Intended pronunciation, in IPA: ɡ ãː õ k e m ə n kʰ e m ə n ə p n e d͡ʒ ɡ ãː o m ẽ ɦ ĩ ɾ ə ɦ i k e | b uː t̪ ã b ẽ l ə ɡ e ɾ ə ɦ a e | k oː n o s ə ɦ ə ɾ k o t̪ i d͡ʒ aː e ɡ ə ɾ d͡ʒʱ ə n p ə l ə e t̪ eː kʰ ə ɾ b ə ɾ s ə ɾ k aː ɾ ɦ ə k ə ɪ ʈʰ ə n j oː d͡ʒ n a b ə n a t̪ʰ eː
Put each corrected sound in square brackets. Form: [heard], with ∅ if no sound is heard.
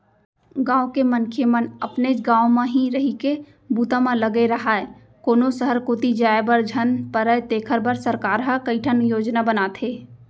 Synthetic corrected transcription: ɡ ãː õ k e m ə n kʰ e m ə n ə p n e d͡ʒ ɡ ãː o m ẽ ɦ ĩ ɾ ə ɦ i k e | b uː t̪ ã [m] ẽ l ə ɡ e ɾ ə ɦ a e | k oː n o s ə ɦ ə ɾ k o t̪ i d͡ʒ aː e [b] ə ɾ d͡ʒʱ ə n p ə [ɾ] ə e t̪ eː kʰ ə ɾ b ə ɾ s ə ɾ k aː ɾ ɦ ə k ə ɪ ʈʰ ə n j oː d͡ʒ n a b ə n a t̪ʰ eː